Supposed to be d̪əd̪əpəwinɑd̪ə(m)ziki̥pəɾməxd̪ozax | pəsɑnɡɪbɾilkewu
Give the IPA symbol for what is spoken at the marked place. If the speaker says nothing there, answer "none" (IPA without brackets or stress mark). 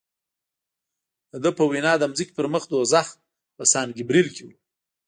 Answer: m